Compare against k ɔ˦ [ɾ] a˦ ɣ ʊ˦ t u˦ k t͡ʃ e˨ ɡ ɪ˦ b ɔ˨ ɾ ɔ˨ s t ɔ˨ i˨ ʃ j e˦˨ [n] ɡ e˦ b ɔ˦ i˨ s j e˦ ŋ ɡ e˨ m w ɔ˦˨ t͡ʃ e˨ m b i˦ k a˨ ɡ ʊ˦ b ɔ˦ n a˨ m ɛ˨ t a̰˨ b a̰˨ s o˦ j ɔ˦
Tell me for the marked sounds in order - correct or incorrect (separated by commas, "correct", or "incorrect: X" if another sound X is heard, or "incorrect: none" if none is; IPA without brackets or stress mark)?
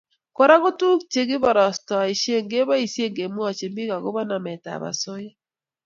correct, incorrect: ŋ